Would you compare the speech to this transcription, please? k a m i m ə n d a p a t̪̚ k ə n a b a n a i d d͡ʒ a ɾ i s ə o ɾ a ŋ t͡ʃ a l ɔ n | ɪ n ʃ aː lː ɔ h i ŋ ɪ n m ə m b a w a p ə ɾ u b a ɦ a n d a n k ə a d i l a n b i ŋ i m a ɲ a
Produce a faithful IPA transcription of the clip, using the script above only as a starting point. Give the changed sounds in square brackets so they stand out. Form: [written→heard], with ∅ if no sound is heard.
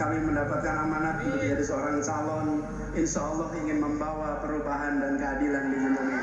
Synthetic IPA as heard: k a m i m ə n d a p a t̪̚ k [ə→a] n a [b→m] a n a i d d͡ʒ a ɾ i s ə o ɾ a ŋ t͡ʃ a l ɔ n | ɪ n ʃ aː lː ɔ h i ŋ ɪ n m ə m b a w a p ə ɾ u b a ɦ a n d a n k ə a d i l a n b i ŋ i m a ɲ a